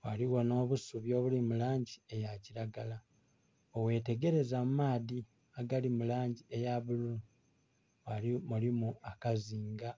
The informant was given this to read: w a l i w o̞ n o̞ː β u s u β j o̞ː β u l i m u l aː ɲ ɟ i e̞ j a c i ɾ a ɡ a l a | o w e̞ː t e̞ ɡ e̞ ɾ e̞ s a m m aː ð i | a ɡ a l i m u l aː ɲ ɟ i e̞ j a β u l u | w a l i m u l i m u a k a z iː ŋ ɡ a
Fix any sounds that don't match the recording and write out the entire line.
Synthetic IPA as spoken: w a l i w o̞ n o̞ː β u s u β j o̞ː β u l i m u l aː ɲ ɟ i e̞ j a c i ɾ a ɡ a l a | o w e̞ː t e̞ ɡ e̞ ɾ e̞ z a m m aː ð i | a ɡ a l i m u l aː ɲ ɟ i e̞ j a β u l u | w a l i m u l i m u a k a z iː ŋ ɡ a